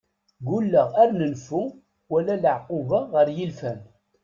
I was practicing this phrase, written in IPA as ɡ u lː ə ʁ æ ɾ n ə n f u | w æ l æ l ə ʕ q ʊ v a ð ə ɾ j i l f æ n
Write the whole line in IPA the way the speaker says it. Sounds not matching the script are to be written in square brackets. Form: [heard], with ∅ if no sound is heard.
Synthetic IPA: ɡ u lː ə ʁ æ ɾ n ə n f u | w æ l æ l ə ʕ q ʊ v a [ʁ] ə ɾ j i l f æ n